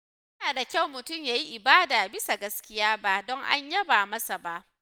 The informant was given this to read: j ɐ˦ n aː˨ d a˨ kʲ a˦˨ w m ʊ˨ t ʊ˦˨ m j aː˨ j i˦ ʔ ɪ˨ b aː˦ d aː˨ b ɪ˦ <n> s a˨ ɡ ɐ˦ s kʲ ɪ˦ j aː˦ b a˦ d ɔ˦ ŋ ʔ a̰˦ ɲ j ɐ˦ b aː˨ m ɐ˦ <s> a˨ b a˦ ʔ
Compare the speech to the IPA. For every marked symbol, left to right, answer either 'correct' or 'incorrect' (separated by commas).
incorrect, correct